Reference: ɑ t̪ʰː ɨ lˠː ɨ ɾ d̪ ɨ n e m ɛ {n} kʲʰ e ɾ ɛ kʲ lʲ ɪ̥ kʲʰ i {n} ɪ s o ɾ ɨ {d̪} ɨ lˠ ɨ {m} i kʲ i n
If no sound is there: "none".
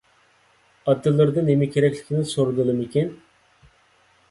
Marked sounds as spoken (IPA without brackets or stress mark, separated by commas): none, n, d̪, m